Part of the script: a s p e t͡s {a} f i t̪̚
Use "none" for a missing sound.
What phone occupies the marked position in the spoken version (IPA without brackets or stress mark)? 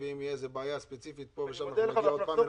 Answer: i